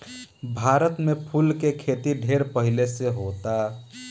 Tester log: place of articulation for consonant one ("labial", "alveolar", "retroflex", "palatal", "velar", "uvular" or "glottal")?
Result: labial